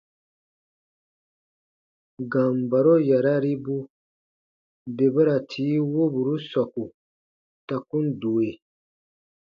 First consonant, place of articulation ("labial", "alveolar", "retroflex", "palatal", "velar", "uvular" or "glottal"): velar